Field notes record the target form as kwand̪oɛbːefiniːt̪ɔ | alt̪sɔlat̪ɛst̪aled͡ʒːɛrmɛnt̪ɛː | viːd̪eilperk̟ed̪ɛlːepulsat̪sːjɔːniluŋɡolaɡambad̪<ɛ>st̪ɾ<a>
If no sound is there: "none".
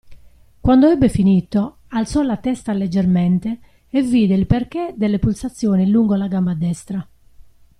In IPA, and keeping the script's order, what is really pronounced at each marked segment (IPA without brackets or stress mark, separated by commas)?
ɛ, a